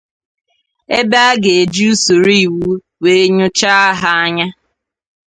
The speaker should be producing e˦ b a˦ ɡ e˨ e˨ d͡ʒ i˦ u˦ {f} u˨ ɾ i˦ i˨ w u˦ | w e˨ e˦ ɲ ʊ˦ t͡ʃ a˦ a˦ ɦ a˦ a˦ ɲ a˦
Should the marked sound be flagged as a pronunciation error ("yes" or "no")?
yes